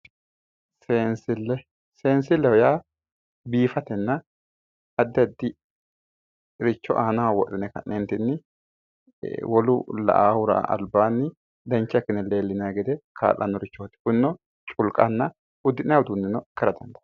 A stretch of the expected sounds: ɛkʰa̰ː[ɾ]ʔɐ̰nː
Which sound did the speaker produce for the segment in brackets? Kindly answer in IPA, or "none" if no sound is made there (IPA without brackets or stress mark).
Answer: l